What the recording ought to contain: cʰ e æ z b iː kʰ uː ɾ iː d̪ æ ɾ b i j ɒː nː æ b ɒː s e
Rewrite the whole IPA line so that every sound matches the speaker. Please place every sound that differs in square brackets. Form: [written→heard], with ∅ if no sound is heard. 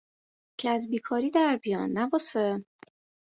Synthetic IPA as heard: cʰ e æ z b iː kʰ [uː→ɒː] ɾ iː d̪ æ ɾ b i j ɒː nː æ b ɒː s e

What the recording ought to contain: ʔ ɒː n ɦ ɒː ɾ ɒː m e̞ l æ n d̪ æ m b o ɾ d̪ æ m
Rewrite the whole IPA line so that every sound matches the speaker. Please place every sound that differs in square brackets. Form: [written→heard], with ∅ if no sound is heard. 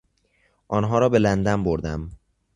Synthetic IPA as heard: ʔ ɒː n ɦ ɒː ɾ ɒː [m→b] e̞ l æ n d̪ æ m b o ɾ d̪ æ m

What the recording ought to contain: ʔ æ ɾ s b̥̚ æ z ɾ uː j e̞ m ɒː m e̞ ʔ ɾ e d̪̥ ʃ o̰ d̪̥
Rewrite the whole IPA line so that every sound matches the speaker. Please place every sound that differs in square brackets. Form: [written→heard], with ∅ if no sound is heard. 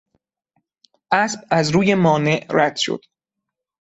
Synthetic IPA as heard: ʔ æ [ɾ→∅] s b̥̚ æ z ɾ uː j e̞ m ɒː [m→n] e̞ ʔ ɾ [e→æ] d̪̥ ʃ o̰ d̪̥

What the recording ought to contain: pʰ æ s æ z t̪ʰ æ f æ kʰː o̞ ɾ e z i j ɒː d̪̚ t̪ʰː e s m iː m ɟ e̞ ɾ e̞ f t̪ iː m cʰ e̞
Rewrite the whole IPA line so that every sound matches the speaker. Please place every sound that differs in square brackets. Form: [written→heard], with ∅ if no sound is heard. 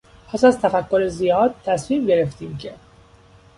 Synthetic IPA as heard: pʰ æ s æ z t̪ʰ æ f æ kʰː o̞ ɾ e z i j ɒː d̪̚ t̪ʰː [e→æ] s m iː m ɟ e̞ ɾ e̞ f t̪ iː m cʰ e̞

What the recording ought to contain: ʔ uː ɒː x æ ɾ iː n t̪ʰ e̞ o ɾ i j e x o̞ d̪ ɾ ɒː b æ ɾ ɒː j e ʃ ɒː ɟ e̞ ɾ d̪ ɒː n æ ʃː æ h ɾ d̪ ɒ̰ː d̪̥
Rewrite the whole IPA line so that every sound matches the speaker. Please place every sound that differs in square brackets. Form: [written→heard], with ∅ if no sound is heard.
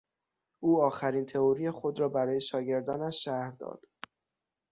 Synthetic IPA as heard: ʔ uː ɒː x æ ɾ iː n t̪ʰ e̞ o ɾ i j e x o̞ d̪ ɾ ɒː b æ ɾ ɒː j e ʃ ɒː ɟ e̞ ɾ d̪ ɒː n æ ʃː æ h ɾ d̪ ɒ̰ː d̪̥

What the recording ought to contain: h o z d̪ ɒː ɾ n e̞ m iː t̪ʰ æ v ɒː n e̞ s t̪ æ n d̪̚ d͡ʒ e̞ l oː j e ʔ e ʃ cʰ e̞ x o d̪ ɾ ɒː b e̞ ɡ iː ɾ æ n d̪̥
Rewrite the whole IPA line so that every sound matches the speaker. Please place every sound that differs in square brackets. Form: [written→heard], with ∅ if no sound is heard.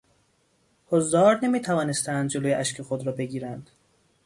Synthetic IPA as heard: h o z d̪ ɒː ɾ n e̞ m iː t̪ʰ æ v ɒː n e̞ s t̪ æ n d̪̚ d͡ʒ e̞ l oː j e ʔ [e→æ] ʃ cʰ e̞ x o d̪ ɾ ɒː b e̞ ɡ iː ɾ æ n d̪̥

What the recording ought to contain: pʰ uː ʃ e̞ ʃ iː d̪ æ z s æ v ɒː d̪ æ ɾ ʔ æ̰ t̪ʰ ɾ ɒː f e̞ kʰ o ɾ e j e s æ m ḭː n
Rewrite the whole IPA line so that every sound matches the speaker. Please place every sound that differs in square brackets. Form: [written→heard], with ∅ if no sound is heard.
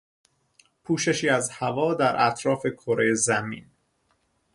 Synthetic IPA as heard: pʰ uː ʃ e̞ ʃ iː [d̪→∅] æ z [s→h] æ v ɒː d̪ æ ɾ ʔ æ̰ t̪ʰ ɾ ɒː f e̞ kʰ o ɾ e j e [s→z] æ m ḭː n

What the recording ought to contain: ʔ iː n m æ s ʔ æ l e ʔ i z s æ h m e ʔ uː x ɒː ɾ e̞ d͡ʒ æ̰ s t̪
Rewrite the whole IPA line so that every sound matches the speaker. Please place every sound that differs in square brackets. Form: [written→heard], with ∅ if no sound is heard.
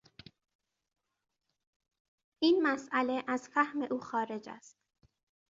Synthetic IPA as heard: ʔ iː n m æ s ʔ æ l e ʔ [i→æ] z [s→f] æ h m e ʔ uː x ɒː ɾ e̞ d͡ʒ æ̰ s t̪

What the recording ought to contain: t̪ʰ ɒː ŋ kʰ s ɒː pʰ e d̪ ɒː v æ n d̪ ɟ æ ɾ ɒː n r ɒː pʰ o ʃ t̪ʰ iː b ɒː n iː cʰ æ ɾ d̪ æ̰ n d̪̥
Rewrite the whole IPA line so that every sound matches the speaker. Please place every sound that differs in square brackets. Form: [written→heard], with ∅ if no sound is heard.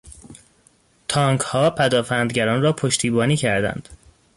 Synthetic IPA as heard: t̪ʰ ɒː ŋ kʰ [s→h] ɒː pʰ [e→æ] d̪ ɒː [v→f] æ n d̪ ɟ æ ɾ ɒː n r ɒː pʰ o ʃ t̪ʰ iː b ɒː n iː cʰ æ ɾ d̪ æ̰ n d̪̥

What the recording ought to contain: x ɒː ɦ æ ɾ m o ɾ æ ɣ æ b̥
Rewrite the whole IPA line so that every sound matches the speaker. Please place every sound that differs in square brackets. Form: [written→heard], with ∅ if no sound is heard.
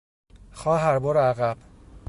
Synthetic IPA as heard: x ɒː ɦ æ ɾ [m→b] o ɾ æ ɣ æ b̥

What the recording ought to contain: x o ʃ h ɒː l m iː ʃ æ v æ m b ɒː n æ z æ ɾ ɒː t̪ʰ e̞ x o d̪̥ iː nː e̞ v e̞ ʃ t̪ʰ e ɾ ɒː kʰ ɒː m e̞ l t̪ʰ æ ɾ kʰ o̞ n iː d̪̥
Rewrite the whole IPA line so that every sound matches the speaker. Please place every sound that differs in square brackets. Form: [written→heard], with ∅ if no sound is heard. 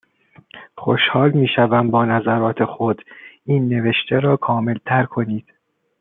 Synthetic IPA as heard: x o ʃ h ɒː l m iː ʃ æ v æ m b ɒː n æ z æ ɾ ɒː t̪ʰ e̞ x o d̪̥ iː nː e̞ v e̞ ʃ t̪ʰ e ɾ ɒː kʰ ɒː m e̞ l t̪ʰ æ ɾ kʰ o̞ n iː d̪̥

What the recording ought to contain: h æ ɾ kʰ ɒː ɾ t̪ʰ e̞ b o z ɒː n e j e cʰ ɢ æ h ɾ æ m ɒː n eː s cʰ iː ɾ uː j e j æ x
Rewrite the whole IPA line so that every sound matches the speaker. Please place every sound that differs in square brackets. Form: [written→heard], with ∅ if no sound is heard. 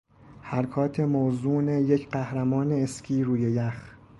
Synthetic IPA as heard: h æ ɾ kʰ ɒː [ɾ→∅] t̪ʰ e̞ [b→m] o z [ɒː→uː] n e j e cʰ ɢ æ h ɾ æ m ɒː n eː s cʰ iː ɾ uː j e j æ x

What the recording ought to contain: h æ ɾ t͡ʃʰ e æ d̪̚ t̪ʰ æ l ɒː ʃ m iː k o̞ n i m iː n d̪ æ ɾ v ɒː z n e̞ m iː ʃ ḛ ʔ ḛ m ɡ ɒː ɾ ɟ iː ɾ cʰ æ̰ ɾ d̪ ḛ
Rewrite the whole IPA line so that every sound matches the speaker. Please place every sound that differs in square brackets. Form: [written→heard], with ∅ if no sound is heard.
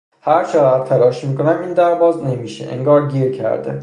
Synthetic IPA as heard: h æ ɾ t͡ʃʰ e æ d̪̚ t̪ʰ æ l ɒː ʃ m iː k o̞ n [i→æ] m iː n d̪ æ ɾ v ɒː z n e̞ m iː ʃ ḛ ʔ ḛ [m→ŋ] ɡ ɒː ɾ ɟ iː ɾ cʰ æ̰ ɾ d̪ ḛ

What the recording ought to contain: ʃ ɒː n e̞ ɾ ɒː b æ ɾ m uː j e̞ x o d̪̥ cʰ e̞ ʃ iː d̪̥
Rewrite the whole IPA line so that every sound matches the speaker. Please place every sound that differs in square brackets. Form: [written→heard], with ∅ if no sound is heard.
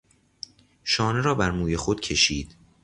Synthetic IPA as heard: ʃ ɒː n e̞ ɾ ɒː b æ ɾ m uː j e̞ x o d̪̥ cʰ e̞ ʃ iː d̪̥

